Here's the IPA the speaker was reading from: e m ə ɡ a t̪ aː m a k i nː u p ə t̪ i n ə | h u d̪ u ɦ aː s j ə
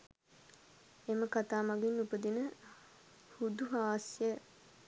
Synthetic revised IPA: e m ə k a t̪ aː m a ɡ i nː u p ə d̪ i n ə | h u d̪ u ɦ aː s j ə